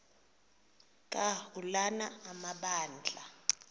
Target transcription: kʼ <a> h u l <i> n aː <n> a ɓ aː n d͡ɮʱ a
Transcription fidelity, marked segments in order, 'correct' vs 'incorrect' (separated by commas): correct, incorrect, incorrect